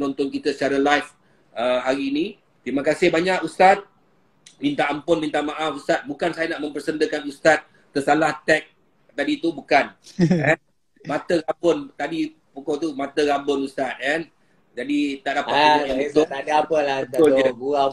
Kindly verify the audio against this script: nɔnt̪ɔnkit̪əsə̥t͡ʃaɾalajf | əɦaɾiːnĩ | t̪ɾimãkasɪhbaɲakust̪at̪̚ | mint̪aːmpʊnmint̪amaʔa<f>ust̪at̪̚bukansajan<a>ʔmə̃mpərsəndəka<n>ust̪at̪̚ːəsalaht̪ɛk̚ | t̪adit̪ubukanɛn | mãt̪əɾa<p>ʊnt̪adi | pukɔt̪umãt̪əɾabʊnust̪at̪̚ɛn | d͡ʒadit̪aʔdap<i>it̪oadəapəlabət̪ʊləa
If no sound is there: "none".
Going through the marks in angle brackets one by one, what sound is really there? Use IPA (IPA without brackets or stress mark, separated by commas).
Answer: f, a, n, b, a